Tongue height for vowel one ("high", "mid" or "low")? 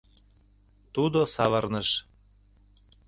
high